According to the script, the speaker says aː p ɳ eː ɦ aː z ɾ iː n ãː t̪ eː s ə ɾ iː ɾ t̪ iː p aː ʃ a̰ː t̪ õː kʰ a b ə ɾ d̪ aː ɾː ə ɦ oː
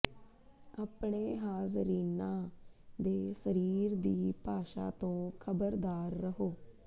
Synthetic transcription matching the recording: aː p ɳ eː ɦ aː z ɾ iː n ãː d̪ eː s ə ɾ iː ɾ d̪ iː p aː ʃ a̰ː t̪ õː kʰ ə b ə ɾ d̪ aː ɾː ə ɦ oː